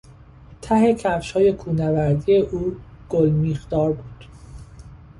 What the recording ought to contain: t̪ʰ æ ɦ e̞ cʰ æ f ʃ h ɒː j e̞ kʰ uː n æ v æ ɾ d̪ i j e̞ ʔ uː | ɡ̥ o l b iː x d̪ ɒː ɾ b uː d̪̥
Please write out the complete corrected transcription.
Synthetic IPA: t̪ʰ æ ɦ e̞ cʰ æ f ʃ h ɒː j e̞ kʰ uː n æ v æ ɾ d̪ i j e̞ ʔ uː | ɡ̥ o l m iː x d̪ ɒː ɾ b uː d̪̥